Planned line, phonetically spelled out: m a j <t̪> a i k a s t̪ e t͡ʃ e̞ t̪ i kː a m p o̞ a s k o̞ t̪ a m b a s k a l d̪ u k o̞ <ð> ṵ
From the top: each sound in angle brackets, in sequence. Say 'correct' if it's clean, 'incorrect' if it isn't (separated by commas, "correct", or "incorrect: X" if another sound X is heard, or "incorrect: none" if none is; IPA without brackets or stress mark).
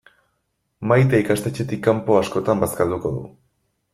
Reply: correct, correct